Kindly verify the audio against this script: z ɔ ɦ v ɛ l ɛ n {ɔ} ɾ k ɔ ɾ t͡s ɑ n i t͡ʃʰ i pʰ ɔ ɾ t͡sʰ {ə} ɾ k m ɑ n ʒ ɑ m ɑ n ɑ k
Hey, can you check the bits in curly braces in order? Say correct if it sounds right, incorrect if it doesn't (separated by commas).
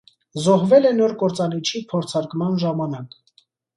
correct, incorrect